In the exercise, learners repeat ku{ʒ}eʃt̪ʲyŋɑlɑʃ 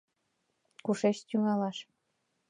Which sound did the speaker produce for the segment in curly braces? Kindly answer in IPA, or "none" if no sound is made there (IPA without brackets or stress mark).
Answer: ʃ